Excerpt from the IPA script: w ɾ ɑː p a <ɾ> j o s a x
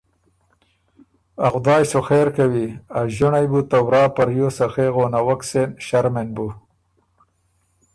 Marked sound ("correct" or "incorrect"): correct